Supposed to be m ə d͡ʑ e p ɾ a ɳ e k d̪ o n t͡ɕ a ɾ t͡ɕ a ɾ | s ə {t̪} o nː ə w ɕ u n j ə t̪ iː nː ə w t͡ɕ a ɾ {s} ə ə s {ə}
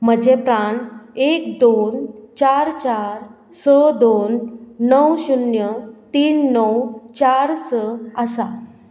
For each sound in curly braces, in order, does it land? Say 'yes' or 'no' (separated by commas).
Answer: no, yes, no